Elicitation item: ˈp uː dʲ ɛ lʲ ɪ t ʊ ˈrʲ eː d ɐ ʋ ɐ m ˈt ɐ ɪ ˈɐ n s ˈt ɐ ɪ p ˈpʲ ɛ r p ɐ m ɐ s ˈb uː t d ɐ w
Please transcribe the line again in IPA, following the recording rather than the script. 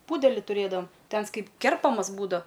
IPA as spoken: ˈp uː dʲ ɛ lʲ ɪ t ʊ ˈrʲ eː d ɐ ʋ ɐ m ˈt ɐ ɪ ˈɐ n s ˈk ɐ ɪ p ˈkʲ ɛ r p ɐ m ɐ s ˈb uː d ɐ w